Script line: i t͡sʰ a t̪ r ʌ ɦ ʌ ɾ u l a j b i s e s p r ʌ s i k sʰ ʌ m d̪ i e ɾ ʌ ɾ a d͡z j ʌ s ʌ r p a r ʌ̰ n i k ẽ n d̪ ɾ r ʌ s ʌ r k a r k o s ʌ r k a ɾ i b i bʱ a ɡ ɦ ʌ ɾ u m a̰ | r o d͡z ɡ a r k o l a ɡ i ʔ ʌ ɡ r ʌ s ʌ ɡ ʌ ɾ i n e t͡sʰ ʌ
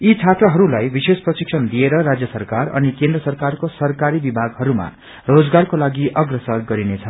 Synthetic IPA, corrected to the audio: i t͡sʰ a t̪ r ʌ ɦ ʌ ɾ u l a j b i s e s p r ʌ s i k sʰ ʌ n d̪ i e ɾ ʌ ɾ a d͡z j ʌ s ʌ r k a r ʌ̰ n i k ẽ n d̪ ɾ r ʌ s ʌ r k a r k o s ʌ r k a ɾ i b i bʱ a ɡ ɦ ʌ ɾ u m a̰ | r o d͡z ɡ a r k o l a ɡ i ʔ ʌ ɡ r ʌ s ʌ ɡ ʌ ɾ i n e t͡sʰ ʌ